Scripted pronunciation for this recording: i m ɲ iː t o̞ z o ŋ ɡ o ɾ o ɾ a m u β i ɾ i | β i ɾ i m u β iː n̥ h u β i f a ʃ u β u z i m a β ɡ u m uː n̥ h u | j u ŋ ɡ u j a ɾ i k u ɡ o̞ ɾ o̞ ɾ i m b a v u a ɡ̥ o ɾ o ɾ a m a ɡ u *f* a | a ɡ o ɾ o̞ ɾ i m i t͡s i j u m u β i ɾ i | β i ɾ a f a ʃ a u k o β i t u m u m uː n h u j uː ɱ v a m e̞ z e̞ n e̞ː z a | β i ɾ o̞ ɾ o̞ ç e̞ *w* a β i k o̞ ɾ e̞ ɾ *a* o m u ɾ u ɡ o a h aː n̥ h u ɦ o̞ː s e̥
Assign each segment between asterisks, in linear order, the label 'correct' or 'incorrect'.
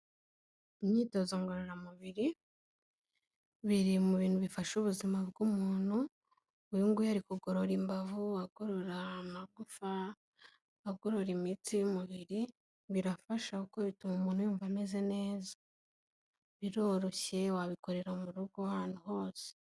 correct, correct, correct

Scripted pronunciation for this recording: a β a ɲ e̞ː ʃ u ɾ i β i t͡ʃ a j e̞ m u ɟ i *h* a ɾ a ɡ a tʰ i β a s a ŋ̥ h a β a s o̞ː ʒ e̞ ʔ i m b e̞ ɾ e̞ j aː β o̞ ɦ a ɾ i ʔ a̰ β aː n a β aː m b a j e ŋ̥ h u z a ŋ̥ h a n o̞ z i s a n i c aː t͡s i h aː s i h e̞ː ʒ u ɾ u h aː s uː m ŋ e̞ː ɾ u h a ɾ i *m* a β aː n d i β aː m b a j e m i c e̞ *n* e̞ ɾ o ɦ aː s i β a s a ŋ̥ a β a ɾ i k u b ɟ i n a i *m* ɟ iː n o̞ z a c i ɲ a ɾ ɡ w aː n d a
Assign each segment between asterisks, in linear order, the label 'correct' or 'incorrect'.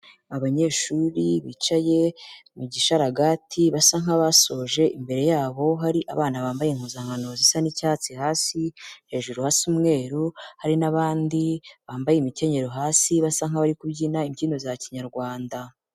incorrect, incorrect, incorrect, correct

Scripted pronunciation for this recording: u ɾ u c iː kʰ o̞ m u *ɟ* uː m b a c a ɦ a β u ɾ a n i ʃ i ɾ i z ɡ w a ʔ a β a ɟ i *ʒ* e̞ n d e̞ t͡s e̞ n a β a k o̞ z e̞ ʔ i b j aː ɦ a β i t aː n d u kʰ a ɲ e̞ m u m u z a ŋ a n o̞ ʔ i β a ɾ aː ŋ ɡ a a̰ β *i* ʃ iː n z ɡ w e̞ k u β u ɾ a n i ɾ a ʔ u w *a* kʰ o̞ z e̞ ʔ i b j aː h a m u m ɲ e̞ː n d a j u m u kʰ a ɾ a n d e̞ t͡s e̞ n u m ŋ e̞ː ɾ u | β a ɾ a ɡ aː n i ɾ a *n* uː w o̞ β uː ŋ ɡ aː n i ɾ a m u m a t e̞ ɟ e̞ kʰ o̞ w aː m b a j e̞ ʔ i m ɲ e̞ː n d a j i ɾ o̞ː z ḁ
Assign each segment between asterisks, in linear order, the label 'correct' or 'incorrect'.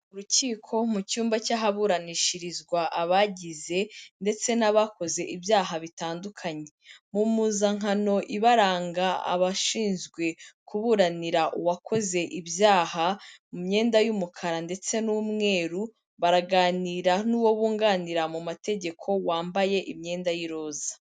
incorrect, incorrect, incorrect, correct, correct

